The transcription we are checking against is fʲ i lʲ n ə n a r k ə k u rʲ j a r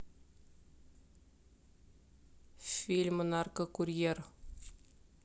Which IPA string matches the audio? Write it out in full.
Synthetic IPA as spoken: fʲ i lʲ m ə n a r k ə k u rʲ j e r